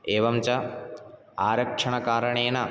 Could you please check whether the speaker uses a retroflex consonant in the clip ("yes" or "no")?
yes